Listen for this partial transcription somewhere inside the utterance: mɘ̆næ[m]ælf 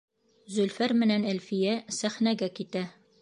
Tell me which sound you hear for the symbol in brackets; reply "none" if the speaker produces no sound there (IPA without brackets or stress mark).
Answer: n